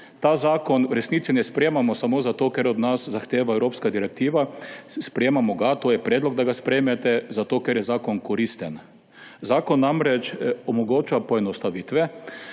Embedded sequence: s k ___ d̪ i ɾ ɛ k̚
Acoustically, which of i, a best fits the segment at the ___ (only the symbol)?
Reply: a